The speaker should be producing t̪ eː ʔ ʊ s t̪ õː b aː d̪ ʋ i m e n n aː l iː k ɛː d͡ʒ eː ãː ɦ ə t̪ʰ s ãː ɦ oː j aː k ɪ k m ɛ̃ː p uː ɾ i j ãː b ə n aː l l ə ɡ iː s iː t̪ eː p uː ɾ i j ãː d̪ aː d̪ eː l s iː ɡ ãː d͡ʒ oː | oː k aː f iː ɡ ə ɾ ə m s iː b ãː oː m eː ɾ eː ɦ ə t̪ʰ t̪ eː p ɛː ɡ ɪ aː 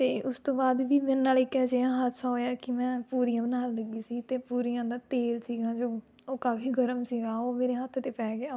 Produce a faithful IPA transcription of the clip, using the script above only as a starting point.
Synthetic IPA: t̪ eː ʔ ʊ s t̪ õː b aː d̪ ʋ iː m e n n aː l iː k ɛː d͡ʒ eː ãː ɦ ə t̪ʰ s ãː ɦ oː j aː k ɪ m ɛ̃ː p uː ɾ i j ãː b ə n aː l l ə ɡ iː s iː t̪ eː p uː ɾ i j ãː d̪ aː t̪ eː l s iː ɡ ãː d͡ʒ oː | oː k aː f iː ɡ ə ɾ ə m s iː ɡ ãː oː m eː ɾ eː ɦ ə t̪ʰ t̪ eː p ɛː ɡ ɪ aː